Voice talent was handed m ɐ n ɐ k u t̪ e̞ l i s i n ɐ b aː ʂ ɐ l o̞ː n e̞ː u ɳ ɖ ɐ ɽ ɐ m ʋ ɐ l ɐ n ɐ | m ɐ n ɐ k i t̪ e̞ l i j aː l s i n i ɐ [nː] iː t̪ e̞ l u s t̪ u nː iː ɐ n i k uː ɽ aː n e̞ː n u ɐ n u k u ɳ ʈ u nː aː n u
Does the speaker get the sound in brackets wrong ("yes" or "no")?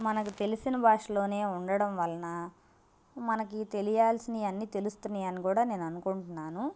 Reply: no